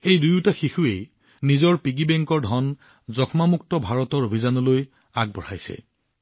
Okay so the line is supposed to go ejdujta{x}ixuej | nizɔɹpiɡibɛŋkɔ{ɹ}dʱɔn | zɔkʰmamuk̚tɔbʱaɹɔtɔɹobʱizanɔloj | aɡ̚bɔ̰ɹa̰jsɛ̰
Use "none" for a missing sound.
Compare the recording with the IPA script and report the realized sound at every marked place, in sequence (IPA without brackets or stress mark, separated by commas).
x, ɹ